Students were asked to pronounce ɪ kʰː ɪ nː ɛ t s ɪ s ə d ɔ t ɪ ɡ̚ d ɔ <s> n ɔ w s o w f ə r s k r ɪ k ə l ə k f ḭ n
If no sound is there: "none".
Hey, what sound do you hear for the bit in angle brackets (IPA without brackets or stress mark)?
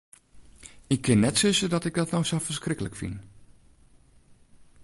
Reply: t